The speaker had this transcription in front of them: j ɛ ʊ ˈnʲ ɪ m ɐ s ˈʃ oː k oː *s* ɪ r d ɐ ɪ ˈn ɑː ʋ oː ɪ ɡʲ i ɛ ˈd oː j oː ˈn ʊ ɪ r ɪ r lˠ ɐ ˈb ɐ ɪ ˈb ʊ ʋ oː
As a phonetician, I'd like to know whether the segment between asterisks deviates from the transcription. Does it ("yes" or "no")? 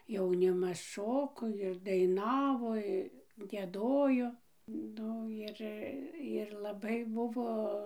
yes